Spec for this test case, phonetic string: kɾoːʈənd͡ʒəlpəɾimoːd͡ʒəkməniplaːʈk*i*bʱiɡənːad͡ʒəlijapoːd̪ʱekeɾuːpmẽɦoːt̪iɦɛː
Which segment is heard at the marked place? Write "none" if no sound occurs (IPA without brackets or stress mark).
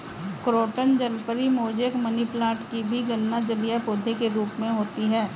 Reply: i